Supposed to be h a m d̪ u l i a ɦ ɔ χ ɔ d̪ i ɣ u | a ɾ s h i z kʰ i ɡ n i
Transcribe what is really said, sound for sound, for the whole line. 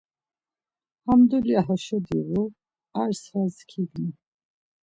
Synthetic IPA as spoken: h a m d̪ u l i a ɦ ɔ ʃ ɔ d̪ i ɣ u | a ɾ s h a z kʰ i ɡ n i